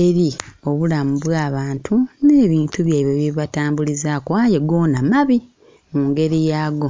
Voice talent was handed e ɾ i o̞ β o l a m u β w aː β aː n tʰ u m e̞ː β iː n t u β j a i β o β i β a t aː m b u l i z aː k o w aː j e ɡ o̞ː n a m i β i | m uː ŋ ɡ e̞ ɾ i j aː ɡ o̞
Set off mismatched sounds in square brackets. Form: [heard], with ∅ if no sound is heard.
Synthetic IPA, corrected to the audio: e ɾ i o̞ β [u] l a m u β w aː β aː n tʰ u [n] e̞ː β iː n t u β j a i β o β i β a t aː m b u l i z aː k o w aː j e ɡ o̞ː n a m [a] β i | m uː ŋ ɡ e̞ ɾ i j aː ɡ o̞